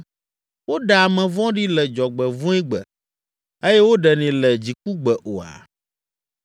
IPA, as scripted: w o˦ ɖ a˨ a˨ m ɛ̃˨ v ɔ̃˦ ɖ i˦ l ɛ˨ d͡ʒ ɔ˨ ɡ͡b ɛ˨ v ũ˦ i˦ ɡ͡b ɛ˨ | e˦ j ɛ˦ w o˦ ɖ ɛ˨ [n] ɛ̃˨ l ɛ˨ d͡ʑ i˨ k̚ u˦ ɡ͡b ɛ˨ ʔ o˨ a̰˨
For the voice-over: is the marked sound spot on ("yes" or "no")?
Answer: yes